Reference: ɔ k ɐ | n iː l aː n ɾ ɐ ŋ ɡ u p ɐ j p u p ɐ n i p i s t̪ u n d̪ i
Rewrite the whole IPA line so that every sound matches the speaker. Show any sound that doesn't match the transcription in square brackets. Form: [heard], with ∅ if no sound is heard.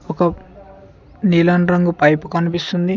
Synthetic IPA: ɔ k ɐ | n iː l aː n ɾ ɐ ŋ ɡ u p ɐ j p u [k] ɐ n i p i s t̪ u n d̪ i